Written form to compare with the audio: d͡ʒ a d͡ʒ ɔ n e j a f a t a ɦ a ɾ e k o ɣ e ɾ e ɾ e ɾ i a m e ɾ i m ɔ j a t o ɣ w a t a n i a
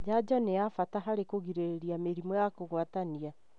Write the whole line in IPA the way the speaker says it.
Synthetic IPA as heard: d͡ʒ a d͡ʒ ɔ n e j a f a t a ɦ a ɾ e k o ɣ i ɾ e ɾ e ɾ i a m e ɾ i m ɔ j a k o ɣ w a t a n i a